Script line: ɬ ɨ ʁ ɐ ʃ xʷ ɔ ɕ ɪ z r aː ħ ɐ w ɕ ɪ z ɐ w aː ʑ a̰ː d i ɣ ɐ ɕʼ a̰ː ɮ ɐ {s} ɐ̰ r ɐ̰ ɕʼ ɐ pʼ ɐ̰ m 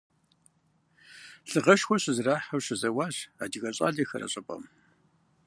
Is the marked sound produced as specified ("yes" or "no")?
no